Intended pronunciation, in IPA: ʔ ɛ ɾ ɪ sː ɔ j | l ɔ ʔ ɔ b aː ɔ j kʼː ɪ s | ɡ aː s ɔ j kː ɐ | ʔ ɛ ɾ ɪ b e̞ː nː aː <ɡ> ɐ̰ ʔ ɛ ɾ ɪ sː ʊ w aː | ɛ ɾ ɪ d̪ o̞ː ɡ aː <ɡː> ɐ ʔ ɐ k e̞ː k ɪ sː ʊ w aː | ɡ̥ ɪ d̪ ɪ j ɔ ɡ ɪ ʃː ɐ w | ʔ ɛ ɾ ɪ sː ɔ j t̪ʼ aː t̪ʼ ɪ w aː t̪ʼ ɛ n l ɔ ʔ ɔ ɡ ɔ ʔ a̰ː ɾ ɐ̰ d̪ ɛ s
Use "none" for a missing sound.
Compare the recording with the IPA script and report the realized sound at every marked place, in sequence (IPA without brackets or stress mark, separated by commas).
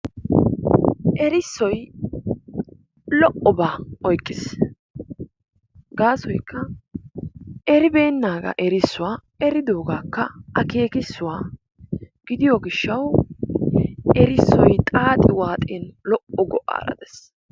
ɡ, kː